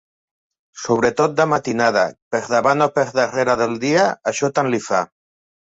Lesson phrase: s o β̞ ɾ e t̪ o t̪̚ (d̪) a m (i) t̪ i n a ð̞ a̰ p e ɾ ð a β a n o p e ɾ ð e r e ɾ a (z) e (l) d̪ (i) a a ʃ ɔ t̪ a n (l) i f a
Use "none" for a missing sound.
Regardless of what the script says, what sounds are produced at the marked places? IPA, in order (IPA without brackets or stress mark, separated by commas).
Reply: d̪, a, ð, l, i, l